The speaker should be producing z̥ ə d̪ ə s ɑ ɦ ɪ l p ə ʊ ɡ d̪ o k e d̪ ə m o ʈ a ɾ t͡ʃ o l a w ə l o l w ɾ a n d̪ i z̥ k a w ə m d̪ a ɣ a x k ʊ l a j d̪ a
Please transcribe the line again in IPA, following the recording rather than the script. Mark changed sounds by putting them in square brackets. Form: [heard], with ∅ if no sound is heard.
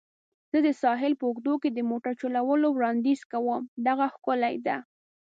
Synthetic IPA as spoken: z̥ ə d̪ ə s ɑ ɦ ɪ l p ə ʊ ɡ d̪ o k e d̪ ə m o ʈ a ɾ t͡ʃ o l a w ə l o [∅] w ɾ [ɑ] n d̪ i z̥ k a w ə m d̪ a ɣ a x k ʊ l a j d̪ a